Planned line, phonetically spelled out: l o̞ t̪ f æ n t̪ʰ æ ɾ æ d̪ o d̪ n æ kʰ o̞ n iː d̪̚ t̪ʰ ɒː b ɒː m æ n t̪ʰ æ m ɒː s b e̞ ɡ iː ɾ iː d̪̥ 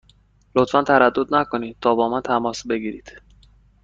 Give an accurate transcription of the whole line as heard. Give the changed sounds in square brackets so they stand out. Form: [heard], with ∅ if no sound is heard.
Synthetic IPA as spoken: l o̞ t̪ f æ n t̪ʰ æ ɾ æ [d̪ː] o d̪ n æ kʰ o̞ n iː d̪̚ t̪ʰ ɒː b ɒː m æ n t̪ʰ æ m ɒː s b e̞ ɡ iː ɾ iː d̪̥